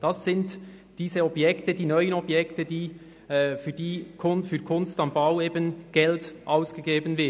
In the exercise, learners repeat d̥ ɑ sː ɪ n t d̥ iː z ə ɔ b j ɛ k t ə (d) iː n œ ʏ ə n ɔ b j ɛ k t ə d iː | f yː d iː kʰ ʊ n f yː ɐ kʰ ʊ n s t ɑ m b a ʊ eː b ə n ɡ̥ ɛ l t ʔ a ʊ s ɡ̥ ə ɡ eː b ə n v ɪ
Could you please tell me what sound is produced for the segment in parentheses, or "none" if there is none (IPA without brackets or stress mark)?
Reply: d